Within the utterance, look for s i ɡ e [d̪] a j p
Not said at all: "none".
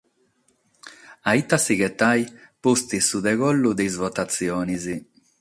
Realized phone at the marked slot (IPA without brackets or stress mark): t̪